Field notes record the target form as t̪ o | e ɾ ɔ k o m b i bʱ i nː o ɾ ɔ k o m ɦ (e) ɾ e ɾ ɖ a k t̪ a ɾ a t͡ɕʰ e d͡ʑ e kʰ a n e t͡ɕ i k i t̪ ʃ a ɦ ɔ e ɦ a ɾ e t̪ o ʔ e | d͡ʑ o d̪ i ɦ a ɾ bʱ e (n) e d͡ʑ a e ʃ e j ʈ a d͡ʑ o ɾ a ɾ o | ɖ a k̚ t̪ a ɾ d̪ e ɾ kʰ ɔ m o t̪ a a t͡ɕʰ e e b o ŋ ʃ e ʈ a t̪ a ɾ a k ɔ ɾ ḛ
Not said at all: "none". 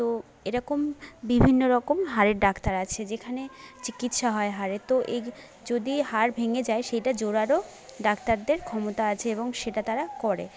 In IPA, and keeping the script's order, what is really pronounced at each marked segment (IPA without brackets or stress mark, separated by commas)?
a, ŋ